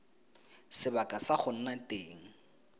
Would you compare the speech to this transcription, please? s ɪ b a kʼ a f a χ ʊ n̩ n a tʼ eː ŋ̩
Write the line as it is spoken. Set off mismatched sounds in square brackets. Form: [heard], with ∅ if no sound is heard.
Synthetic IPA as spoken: s ɪ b a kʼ a [s] a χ ʊ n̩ n a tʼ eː ŋ̩